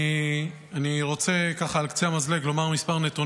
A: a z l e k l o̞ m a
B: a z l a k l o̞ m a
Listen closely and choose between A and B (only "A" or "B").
A